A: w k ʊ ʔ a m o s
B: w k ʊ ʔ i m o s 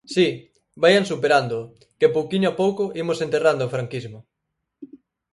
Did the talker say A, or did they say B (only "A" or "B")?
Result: B